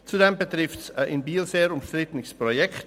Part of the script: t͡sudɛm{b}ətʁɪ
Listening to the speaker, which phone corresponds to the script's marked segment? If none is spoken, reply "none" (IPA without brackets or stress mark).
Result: b